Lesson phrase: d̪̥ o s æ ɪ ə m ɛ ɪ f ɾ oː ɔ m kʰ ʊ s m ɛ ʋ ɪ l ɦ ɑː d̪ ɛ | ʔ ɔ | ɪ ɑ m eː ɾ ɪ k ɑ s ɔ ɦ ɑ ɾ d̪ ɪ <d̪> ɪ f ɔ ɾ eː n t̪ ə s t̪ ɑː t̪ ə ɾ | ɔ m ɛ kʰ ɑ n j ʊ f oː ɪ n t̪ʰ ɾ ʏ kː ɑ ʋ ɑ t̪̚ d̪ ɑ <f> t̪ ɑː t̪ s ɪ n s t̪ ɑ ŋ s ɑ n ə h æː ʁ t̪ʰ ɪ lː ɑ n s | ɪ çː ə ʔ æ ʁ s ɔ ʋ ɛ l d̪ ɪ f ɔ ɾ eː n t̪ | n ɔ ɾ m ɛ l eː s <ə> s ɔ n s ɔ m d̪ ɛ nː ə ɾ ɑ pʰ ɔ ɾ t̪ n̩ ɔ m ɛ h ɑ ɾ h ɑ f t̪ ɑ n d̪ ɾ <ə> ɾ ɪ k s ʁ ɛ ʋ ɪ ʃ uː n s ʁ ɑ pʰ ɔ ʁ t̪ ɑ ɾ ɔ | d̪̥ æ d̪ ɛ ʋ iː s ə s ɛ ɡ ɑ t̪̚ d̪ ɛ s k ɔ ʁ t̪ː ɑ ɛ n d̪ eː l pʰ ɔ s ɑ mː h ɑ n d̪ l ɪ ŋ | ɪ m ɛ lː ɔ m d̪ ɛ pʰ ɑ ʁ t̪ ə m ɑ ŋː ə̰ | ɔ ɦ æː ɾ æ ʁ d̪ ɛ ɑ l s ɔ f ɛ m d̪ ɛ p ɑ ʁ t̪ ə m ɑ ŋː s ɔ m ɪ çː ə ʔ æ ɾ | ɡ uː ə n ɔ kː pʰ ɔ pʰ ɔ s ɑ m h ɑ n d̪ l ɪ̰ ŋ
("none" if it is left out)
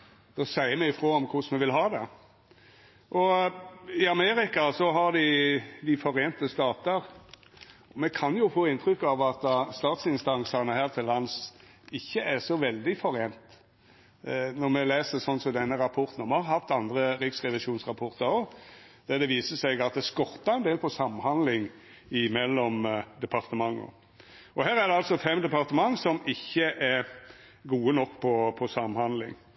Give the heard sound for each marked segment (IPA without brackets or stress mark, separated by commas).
d̪, s, ə, ə